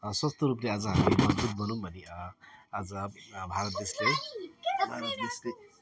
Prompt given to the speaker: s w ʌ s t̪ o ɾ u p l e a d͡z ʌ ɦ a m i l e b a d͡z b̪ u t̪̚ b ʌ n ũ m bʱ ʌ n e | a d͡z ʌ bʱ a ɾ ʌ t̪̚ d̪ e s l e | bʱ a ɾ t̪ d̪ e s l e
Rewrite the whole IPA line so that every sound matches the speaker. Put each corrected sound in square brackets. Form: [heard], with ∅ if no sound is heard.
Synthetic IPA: s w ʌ s t̪ o ɾ u p l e a d͡z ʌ ɦ a m i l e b [ʌ] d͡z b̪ u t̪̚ b ʌ n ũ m bʱ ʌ n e | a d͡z ʌ bʱ a ɾ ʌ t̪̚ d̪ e s l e | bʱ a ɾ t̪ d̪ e s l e